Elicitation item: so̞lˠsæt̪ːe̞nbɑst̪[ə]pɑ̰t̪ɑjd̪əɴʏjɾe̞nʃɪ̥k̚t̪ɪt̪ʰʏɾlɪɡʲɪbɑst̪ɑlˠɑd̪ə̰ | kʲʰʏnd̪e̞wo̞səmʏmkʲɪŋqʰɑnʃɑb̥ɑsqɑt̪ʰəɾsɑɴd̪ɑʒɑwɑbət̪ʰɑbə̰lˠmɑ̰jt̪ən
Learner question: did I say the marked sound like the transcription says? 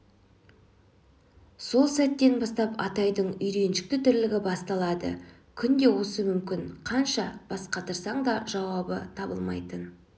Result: no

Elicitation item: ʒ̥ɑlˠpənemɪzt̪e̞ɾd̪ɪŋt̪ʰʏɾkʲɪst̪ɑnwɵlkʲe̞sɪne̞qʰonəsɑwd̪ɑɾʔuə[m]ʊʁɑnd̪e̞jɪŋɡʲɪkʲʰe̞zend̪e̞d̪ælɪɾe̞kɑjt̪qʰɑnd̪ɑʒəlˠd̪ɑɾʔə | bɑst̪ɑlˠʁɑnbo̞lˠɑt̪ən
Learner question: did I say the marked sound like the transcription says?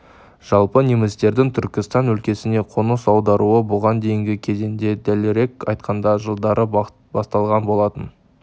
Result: no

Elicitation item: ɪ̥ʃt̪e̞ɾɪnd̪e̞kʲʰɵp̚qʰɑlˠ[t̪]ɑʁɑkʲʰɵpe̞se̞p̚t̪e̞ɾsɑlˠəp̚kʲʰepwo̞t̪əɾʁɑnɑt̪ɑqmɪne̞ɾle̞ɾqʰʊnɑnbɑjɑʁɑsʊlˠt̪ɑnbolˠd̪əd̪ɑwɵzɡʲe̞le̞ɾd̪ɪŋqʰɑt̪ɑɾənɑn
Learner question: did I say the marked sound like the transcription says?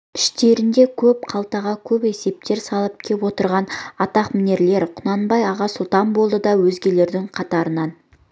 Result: yes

